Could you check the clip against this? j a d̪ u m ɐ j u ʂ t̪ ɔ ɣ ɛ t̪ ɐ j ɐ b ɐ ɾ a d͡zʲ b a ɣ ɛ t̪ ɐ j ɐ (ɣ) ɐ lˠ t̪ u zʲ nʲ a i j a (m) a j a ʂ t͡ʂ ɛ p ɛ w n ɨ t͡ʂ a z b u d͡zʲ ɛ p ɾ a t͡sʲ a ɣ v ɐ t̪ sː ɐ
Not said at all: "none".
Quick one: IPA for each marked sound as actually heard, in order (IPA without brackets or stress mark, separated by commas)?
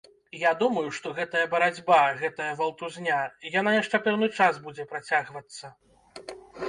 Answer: v, n